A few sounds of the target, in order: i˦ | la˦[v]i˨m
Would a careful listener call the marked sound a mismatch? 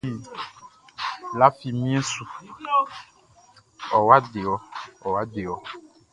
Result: yes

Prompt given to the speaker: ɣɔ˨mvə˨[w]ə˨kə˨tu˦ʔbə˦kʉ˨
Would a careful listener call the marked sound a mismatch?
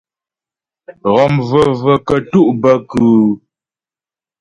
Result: yes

